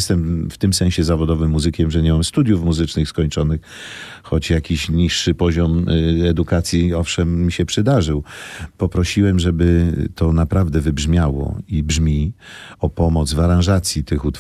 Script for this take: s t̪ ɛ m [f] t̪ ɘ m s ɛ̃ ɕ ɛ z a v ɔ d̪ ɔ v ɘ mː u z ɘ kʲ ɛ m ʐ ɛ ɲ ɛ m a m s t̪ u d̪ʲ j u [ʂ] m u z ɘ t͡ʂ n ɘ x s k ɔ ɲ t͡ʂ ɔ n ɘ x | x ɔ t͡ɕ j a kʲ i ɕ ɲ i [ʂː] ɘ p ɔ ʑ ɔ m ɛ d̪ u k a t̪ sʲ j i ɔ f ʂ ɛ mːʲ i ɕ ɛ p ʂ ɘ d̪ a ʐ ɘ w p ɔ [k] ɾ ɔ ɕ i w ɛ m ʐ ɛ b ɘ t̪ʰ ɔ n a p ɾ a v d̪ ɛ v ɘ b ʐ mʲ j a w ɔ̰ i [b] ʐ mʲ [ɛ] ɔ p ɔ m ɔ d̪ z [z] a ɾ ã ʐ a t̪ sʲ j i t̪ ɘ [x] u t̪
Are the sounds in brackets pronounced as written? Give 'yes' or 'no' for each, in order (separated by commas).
yes, no, yes, no, yes, no, no, yes